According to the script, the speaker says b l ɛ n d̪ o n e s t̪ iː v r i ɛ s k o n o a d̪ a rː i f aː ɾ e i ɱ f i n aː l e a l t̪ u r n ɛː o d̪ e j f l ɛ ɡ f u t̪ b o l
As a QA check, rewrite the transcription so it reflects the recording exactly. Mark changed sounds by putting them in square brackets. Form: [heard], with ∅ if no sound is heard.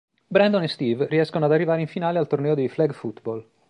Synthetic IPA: b [ɾ] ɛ n d̪ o n e s t̪ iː v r i ɛ s k o n o a d̪ a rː i [v] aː ɾ e i ɱ f i n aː l e a l t̪ [o] r n ɛː o d̪ e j f l ɛ ɡ f u t̪ b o l